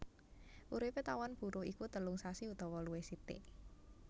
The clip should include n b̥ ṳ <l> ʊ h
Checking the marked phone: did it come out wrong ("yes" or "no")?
yes